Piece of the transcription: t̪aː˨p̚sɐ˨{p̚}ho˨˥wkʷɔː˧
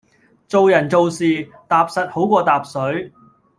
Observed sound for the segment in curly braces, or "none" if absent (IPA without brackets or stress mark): t̚